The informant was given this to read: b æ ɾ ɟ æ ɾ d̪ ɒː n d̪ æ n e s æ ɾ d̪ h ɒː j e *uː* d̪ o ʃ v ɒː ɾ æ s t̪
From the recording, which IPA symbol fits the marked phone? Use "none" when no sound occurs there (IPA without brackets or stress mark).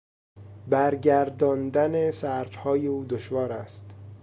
uː